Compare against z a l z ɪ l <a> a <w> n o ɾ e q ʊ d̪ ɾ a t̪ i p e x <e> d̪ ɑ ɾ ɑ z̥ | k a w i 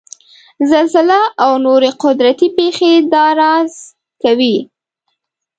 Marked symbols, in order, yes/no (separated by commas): yes, yes, yes